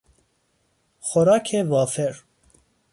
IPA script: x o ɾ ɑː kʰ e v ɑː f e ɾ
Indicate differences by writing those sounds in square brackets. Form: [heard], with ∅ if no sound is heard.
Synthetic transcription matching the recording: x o ɾ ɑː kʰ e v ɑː f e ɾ